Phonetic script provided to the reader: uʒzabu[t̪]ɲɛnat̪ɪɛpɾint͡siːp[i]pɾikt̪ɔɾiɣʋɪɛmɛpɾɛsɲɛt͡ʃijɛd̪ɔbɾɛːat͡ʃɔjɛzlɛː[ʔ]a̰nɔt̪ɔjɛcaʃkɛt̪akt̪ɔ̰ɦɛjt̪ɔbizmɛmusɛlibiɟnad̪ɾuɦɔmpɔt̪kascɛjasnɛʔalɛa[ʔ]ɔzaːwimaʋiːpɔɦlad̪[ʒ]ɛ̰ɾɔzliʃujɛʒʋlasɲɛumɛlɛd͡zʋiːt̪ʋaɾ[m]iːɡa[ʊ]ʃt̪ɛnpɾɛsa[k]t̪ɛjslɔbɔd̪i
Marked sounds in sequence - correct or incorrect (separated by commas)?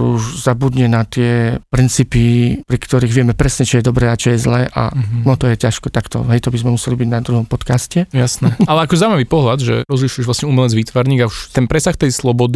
incorrect, correct, correct, incorrect, correct, incorrect, incorrect, incorrect